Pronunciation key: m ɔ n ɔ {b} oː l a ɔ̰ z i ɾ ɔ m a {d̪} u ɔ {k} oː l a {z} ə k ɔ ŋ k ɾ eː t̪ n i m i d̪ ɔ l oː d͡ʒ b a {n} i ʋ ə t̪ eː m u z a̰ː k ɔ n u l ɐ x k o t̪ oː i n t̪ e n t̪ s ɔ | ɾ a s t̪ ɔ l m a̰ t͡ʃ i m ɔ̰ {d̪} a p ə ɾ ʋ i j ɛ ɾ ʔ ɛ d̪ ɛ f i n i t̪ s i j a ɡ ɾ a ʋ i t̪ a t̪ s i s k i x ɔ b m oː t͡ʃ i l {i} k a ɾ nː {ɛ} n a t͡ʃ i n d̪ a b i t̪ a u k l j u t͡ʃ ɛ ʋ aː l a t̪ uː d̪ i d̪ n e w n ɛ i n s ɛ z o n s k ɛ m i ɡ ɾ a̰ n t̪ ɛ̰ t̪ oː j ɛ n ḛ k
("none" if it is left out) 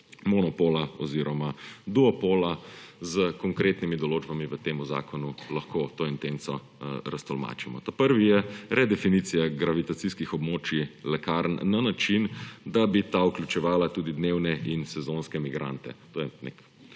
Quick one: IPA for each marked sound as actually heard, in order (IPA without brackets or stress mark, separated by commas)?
p, d̪, p, z, m, t̪, ɛ, a